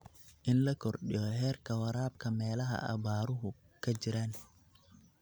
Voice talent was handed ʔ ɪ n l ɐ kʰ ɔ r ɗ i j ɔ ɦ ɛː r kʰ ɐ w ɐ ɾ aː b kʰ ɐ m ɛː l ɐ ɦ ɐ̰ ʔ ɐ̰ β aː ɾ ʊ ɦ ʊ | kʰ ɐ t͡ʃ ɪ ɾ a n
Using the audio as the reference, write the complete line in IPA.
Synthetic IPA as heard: ʔ ɪ n l ɐ kʰ ɔ r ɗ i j ɔ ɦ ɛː r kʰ ɐ w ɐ ɾ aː b kʰ ɐ m ɛː l ɐ ɦ ɐ̰ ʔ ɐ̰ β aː ɾ ʊ ɦ ʊ | kʰ ɐ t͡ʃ ɪ ɾ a n